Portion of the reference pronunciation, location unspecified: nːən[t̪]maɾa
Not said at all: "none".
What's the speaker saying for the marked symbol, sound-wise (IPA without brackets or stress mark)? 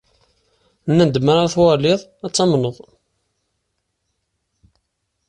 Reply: d̪